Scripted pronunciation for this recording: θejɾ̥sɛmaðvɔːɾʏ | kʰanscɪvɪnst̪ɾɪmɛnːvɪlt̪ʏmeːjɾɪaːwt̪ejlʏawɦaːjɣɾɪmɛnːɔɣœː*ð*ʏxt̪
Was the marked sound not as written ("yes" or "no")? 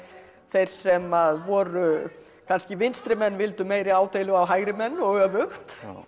yes